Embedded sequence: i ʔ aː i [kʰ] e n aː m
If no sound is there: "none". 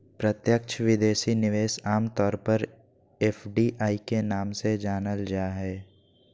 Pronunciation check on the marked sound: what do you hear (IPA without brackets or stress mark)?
k